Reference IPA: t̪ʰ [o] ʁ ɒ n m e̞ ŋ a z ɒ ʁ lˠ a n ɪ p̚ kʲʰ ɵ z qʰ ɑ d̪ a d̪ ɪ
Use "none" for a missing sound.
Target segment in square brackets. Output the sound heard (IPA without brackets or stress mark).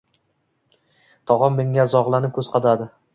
ɒ